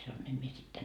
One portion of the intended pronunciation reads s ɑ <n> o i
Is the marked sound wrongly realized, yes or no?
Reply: no